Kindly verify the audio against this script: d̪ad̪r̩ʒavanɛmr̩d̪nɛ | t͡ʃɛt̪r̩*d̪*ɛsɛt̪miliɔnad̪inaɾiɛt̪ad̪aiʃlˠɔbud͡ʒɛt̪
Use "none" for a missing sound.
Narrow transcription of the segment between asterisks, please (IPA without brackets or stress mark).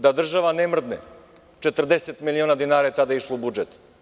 d̪